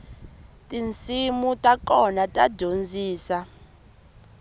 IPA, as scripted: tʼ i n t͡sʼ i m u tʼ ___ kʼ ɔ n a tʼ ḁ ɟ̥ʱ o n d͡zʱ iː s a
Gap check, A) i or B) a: B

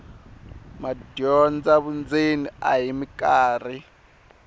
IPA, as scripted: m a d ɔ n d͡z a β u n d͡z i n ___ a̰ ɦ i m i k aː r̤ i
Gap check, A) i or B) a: A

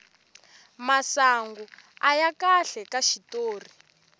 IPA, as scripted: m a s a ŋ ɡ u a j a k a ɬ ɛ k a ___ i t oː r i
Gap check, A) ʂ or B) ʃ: B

